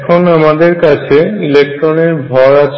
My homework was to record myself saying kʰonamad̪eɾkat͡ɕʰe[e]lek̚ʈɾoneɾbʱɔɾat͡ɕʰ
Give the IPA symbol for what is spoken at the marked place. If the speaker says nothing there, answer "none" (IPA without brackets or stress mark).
i